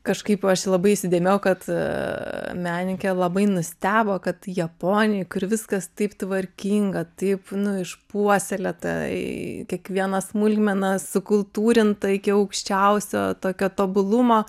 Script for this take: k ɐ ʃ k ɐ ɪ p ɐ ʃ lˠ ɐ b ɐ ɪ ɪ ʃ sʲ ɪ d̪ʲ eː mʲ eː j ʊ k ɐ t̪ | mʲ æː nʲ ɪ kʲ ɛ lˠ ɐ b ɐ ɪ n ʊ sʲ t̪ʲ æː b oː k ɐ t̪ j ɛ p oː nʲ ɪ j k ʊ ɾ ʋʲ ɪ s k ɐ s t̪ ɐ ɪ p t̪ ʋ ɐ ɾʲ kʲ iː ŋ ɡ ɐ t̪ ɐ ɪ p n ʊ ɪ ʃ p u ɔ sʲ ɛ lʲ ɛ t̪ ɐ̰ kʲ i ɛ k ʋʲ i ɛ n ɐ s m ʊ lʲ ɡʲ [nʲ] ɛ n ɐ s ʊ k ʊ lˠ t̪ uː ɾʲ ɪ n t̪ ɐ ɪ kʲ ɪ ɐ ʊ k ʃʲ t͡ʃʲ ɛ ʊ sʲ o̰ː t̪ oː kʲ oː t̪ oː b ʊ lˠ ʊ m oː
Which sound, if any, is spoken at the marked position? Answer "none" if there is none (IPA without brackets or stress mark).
mʲ